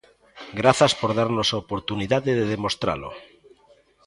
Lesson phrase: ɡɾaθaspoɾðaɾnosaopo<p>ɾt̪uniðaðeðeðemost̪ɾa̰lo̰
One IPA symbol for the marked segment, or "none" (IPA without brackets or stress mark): none